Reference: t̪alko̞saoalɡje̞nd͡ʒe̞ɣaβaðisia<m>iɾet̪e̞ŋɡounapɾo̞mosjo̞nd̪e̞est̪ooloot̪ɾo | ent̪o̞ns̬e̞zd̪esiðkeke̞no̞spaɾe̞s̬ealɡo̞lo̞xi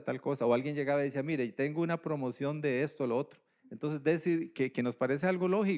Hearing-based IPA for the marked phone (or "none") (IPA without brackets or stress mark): m